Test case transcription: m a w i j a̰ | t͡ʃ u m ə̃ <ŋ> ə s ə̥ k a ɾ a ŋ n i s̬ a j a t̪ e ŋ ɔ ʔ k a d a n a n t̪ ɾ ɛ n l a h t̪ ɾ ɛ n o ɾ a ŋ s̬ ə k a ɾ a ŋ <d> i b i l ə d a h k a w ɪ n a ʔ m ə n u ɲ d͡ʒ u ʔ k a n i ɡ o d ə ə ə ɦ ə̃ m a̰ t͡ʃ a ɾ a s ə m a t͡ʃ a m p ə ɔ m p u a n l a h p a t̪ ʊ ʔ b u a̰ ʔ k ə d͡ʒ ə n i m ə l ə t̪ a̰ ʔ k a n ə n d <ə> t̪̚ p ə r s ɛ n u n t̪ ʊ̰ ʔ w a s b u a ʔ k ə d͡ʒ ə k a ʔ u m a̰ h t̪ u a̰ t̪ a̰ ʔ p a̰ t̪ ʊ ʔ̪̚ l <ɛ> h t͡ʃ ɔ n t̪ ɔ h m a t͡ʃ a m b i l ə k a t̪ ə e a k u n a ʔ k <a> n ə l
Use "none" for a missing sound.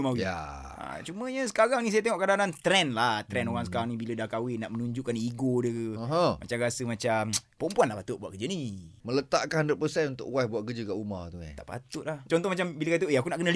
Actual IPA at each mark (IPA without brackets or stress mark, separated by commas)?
ɲ, n, ə, a, ə